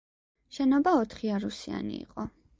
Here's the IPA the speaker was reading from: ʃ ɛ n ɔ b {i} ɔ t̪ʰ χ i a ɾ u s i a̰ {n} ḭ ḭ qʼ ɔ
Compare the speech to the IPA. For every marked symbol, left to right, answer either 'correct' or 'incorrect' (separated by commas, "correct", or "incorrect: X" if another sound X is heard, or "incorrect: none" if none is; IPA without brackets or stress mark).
incorrect: a, correct